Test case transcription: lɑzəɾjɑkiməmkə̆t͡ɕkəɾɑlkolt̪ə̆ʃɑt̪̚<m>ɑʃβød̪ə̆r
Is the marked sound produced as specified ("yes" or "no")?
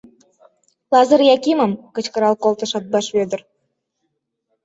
no